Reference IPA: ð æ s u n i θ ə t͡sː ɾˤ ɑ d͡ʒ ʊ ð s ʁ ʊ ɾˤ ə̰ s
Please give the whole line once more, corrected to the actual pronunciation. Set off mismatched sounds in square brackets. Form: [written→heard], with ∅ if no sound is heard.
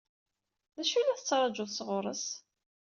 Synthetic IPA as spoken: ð æ [s→ʃ] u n [i→æ] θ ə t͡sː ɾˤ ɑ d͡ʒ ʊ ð s ʁ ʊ ɾˤ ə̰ s